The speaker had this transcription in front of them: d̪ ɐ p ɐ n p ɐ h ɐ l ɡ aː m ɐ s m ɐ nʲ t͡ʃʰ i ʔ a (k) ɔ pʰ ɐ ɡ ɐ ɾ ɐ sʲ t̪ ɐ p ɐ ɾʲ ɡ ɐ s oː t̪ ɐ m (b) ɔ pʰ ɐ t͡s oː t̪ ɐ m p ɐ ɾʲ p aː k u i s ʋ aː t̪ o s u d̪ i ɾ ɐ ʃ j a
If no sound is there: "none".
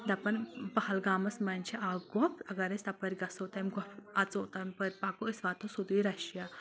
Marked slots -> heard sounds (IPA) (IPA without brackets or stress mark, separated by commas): ɡ, ɡ